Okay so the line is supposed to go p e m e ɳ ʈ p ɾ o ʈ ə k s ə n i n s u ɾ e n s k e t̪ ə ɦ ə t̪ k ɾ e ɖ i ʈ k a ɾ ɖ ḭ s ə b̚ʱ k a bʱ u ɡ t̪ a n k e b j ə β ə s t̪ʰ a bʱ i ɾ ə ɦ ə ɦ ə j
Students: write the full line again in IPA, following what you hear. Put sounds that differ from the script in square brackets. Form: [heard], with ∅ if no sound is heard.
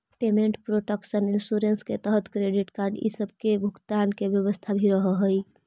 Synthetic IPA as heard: p e m e ɳ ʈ p ɾ o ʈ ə k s ə n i n s u ɾ e n s k e t̪ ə ɦ ə t̪ k ɾ e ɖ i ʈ k a ɾ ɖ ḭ s ə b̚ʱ k [e] bʱ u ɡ t̪ a n k e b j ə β ə s t̪ʰ a bʱ i ɾ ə ɦ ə ɦ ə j